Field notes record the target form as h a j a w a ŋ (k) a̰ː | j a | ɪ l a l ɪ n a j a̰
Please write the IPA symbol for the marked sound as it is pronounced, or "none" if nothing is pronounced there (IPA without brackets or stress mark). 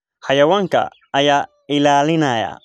k